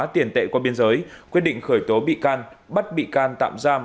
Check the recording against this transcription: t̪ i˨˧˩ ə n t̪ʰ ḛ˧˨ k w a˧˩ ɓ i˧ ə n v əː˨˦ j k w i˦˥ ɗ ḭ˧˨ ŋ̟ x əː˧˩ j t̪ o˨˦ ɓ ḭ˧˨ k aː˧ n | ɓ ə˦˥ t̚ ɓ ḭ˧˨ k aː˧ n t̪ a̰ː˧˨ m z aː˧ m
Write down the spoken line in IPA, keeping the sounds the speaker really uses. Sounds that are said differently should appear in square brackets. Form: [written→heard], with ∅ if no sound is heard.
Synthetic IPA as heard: t̪ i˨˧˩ ə n [t̪ʰ→t̪] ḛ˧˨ k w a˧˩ ɓ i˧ ə n [v→z] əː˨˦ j k w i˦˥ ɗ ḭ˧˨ ŋ̟ x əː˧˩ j t̪ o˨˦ ɓ ḭ˧˨ k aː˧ n | ɓ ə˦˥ t̚ ɓ ḭ˧˨ k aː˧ n t̪ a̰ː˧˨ m z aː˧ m